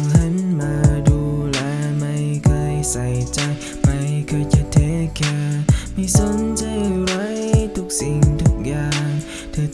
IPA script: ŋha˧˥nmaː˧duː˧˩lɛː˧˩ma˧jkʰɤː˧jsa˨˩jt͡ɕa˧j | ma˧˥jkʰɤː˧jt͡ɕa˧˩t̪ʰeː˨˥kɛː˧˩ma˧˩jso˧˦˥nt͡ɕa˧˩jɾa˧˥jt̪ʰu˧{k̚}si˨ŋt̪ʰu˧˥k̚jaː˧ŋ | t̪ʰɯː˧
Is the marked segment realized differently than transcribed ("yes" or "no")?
no